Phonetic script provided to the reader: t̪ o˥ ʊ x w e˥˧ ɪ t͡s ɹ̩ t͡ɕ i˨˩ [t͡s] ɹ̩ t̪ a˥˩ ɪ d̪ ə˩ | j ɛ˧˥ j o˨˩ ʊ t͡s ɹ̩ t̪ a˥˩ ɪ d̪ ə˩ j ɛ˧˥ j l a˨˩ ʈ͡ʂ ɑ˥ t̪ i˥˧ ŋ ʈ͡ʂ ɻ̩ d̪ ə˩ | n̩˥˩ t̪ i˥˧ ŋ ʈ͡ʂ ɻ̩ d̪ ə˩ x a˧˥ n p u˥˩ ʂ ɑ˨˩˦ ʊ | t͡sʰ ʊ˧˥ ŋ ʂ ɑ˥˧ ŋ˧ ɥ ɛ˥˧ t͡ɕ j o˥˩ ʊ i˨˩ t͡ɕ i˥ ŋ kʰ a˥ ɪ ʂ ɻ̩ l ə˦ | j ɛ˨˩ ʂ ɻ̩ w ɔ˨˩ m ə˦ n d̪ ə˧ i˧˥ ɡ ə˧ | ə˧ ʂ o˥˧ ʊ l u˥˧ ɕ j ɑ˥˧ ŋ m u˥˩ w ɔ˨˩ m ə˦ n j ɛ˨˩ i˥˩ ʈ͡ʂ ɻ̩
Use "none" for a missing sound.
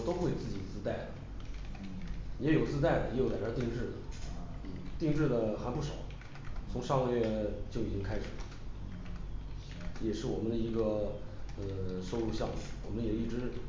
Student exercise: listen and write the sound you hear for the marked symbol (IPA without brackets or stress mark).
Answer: t͡s